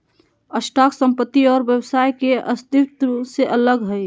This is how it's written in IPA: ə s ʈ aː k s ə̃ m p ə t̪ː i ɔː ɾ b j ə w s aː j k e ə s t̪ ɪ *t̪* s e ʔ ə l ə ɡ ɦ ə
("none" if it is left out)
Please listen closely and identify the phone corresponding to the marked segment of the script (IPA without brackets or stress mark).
t̪